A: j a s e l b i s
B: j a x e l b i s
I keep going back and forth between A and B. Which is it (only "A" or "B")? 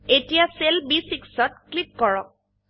A